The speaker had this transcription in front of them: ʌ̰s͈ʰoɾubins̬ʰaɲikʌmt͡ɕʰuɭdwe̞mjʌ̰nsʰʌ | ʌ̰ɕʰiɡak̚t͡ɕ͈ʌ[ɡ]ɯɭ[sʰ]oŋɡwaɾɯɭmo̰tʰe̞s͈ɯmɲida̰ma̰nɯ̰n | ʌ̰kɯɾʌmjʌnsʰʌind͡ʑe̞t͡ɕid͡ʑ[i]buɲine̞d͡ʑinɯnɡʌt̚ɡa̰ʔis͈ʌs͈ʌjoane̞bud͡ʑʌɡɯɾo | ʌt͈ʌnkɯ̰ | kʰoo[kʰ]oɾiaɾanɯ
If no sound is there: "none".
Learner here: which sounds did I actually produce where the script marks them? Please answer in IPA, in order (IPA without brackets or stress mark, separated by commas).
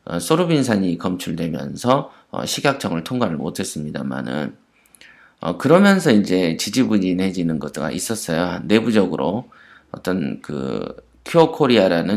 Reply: ŋ, tʰ, i, kʰ